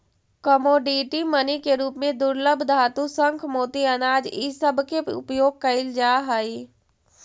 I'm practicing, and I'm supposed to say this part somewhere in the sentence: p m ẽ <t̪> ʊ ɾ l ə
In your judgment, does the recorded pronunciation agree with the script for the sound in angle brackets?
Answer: no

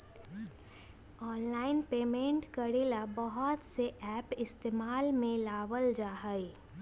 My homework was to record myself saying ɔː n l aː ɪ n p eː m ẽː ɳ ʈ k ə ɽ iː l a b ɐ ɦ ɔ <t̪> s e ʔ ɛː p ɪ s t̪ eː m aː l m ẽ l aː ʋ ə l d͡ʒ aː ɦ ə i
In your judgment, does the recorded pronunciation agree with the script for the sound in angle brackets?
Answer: yes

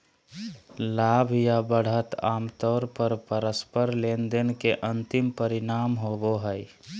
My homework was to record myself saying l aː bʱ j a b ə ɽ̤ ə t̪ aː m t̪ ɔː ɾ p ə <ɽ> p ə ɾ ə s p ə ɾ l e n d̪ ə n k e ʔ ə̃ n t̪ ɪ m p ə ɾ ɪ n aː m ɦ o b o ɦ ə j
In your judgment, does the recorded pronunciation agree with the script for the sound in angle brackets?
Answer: no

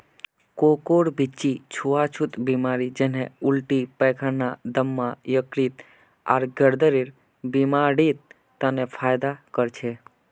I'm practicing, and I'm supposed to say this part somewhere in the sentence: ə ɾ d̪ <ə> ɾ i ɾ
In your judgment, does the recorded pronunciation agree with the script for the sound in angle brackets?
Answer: yes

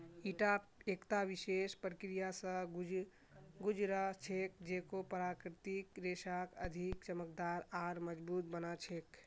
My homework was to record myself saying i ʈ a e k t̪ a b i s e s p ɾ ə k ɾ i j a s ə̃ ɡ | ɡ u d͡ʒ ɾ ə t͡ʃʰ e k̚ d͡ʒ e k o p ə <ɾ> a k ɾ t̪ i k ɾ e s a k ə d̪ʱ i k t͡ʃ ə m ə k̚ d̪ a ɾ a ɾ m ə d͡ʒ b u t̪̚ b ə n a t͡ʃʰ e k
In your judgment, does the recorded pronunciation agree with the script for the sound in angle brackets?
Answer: yes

